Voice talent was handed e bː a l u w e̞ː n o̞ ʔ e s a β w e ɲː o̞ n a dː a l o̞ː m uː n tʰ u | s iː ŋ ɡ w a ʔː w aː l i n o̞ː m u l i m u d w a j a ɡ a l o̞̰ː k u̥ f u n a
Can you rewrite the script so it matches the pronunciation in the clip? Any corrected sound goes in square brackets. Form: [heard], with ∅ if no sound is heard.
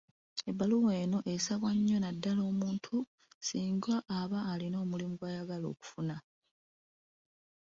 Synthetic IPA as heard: e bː a l u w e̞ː n o̞ ʔ e s a β w [a] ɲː o̞ n a dː a l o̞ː m uː n tʰ u | s iː ŋ ɡ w a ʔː [β] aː l i n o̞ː m u l i m u [ɡ] w a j a ɡ a l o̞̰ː k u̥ f u n a